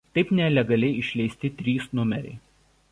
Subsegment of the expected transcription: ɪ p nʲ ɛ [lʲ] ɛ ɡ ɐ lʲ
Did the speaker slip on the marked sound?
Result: no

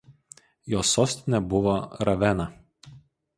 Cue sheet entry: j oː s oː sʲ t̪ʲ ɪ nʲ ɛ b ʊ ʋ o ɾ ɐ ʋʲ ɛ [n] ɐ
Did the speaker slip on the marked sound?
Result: no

